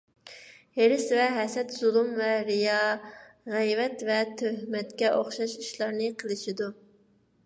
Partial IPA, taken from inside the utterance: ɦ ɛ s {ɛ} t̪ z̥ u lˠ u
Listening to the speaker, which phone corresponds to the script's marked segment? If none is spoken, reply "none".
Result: ɛ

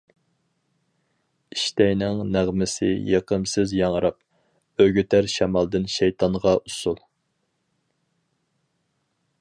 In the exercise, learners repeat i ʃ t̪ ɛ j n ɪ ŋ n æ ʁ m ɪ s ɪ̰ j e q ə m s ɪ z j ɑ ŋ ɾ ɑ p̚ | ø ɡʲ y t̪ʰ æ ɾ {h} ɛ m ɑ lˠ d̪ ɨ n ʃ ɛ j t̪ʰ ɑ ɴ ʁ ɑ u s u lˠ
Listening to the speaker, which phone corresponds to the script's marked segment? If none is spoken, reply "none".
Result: ʃ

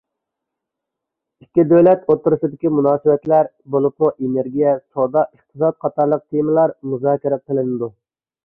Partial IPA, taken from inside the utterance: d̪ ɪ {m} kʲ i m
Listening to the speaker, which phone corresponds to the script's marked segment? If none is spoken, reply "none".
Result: none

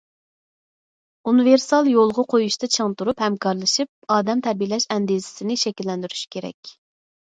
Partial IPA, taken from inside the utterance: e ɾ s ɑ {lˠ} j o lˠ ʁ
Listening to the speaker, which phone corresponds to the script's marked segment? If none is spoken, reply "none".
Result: lˠ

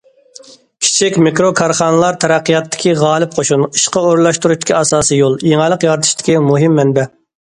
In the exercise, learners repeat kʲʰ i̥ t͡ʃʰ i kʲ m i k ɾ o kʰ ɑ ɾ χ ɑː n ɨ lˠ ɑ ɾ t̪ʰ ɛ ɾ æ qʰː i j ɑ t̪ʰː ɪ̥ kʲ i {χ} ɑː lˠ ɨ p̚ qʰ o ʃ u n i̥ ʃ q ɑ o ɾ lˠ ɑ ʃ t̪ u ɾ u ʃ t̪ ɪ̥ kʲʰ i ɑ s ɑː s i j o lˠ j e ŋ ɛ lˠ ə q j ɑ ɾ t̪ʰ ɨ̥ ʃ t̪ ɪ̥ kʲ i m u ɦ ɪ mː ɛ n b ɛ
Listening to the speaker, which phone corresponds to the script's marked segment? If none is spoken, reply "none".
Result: ʁ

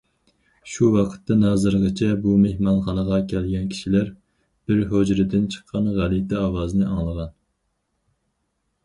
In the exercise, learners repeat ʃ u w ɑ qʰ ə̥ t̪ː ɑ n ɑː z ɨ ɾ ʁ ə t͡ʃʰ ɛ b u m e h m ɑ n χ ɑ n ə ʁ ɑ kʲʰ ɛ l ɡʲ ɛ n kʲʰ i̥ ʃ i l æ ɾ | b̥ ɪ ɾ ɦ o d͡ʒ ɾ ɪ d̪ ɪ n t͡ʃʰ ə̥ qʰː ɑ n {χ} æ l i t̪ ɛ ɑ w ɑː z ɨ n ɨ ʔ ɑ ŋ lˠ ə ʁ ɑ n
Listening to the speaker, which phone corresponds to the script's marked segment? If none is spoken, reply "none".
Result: ʁ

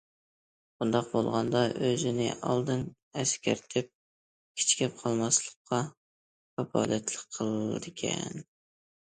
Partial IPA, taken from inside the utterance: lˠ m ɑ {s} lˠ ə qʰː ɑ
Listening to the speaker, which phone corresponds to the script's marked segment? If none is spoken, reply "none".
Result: s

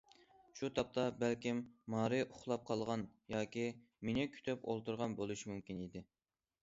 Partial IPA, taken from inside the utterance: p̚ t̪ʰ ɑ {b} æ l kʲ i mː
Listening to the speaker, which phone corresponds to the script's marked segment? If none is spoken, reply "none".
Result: b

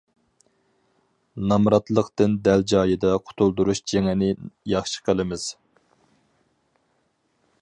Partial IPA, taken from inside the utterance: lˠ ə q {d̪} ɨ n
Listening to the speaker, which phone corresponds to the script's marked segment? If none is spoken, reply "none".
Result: t̪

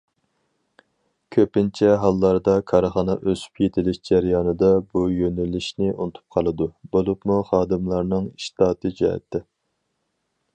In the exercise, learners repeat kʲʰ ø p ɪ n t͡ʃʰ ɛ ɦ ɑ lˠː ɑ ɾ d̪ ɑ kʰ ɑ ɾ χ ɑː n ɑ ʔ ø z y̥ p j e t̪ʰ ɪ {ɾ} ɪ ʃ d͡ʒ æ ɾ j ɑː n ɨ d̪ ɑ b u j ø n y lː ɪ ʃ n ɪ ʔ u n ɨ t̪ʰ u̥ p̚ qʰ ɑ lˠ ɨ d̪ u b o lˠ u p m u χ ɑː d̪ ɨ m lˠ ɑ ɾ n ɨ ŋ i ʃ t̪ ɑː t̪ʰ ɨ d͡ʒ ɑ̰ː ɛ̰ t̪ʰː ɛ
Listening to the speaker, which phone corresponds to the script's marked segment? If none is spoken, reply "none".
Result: l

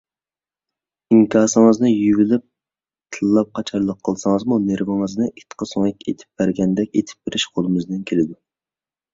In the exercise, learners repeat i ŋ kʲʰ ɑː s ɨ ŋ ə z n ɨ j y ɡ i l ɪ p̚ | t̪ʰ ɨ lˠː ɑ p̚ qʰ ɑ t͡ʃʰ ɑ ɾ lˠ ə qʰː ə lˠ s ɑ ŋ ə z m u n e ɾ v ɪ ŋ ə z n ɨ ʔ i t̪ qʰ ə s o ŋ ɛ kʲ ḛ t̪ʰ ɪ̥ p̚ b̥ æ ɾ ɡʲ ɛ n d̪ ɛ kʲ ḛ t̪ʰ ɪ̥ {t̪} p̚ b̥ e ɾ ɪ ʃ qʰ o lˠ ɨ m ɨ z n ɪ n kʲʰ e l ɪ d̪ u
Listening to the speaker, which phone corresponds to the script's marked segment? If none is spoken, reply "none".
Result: none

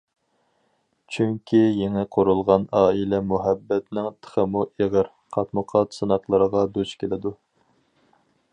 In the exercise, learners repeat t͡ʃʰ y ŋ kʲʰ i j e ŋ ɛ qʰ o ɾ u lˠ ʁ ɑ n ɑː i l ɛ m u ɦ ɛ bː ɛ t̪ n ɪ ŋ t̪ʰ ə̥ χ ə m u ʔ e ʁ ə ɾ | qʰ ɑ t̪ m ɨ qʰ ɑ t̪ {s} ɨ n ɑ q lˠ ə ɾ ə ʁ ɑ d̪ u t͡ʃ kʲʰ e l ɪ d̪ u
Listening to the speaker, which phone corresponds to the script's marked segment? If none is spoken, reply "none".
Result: s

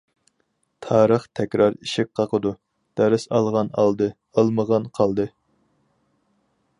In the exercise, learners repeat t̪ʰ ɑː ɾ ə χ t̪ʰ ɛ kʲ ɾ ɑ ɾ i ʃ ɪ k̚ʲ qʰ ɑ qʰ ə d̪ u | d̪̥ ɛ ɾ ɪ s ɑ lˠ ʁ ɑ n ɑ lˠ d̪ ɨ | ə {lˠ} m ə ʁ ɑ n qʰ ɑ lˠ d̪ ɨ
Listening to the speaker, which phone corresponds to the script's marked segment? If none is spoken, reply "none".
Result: lˠ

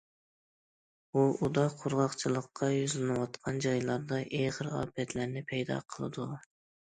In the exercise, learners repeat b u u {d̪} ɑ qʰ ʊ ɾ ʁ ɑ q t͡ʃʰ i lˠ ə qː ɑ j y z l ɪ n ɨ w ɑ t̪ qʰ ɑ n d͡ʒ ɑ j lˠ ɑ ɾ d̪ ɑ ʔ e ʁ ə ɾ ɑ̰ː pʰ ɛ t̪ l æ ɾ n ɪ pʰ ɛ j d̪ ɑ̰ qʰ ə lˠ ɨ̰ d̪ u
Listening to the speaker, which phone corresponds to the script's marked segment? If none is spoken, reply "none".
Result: d̪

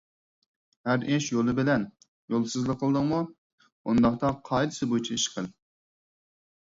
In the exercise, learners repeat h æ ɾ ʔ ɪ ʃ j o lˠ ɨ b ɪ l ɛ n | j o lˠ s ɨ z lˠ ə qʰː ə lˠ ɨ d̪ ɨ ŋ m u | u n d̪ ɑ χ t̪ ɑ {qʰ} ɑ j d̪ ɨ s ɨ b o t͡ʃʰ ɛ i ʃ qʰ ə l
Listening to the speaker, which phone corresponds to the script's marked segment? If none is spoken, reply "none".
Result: qʰ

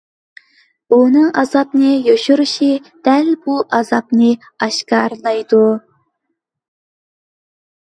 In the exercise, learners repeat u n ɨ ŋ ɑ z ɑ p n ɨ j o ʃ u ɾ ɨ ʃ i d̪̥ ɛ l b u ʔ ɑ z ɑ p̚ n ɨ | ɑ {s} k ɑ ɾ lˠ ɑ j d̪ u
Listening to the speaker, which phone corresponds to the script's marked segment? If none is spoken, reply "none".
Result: ʃ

